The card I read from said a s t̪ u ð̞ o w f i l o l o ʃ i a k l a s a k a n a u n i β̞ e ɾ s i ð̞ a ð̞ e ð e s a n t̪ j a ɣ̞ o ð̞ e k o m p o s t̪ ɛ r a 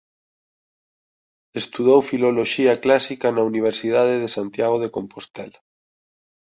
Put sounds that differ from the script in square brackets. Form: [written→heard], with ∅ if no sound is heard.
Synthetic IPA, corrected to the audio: [a→e] s t̪ u ð̞ o w f i l o l o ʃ i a k l a s [a→i] k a n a u n i β̞ e ɾ s i ð̞ a ð̞ e ð e s a n t̪ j a ɣ̞ o ð̞ e k o m p o s t̪ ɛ [r→l] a

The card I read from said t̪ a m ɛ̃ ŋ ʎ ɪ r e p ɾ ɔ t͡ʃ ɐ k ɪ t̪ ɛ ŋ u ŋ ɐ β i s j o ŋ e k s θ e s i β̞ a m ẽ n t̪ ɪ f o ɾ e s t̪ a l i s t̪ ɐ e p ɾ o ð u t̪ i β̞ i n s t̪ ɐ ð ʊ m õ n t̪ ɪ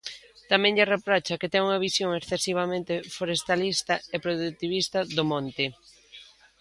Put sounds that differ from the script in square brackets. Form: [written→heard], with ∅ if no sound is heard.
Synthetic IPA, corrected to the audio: t̪ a m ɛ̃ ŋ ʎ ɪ r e p ɾ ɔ t͡ʃ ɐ k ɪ t̪ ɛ ŋ u ŋ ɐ β i s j o ŋ e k s θ e s i β̞ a m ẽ n t̪ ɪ f o ɾ e s t̪ a l i s t̪ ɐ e p ɾ o ð u t̪ i β̞ i [n→∅] s t̪ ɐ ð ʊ m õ n t̪ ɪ

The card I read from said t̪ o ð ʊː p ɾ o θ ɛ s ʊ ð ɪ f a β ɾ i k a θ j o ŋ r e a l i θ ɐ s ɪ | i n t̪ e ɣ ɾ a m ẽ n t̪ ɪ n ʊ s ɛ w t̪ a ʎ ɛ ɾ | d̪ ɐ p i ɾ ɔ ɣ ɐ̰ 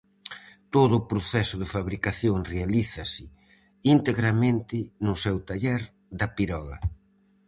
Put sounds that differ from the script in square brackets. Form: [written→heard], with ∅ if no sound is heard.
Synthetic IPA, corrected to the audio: t̪ o ð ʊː p ɾ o θ ɛ s ʊ ð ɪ f a β ɾ i k a θ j o ŋ r e a l i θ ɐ s ɪ | i n t̪ e ɣ ɾ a m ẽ n t̪ ɪ n ʊ s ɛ w t̪ a ʎ ɛ ɾ | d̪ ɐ p i ɾ ɔ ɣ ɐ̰

